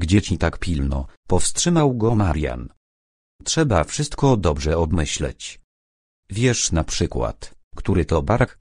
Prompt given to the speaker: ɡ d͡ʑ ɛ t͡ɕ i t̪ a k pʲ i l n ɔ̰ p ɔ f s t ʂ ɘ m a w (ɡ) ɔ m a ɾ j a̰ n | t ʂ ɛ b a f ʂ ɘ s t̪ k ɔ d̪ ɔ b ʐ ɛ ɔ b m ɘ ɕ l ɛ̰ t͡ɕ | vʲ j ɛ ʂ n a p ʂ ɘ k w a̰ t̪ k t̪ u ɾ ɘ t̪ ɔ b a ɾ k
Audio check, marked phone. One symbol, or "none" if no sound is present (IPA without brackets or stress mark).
ɡ